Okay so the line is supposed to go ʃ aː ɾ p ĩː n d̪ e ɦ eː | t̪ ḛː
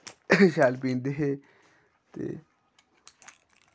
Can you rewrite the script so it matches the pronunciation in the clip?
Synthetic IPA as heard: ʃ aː l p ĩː n d̪ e ɦ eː | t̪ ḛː